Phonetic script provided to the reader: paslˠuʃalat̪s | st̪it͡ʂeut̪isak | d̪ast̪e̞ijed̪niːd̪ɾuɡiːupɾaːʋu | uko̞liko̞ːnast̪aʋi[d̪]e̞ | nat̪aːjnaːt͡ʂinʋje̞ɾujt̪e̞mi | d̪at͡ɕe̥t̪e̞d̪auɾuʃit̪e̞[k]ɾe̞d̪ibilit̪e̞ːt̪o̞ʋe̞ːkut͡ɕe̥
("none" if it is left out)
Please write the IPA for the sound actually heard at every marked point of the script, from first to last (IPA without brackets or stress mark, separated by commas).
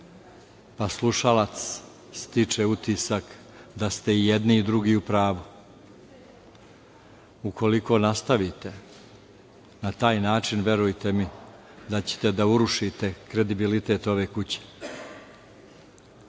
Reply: t̪, k